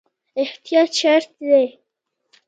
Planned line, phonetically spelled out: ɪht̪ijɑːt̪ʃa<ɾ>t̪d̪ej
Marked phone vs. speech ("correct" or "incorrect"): correct